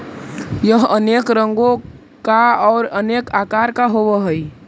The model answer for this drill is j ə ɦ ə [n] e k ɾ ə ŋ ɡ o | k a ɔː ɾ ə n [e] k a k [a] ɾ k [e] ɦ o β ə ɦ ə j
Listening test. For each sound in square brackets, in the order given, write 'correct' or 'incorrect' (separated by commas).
correct, correct, correct, incorrect